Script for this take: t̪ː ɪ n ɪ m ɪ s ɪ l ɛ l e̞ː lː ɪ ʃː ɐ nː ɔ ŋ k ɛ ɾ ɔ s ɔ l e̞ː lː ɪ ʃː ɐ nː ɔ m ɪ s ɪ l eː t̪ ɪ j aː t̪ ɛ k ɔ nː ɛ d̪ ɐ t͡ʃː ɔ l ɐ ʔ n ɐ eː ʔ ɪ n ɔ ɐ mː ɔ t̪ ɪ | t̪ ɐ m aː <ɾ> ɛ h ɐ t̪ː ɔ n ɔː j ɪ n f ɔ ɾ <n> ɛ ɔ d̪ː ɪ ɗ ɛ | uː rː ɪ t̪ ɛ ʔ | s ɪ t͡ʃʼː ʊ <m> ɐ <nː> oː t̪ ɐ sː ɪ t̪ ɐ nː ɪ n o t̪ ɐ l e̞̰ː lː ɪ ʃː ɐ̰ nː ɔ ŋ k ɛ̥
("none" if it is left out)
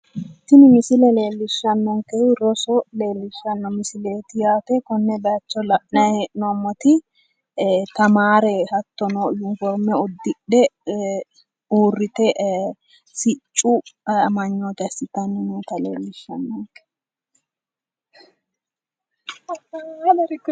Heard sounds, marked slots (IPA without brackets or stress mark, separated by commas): ɾ, m, m, ɲː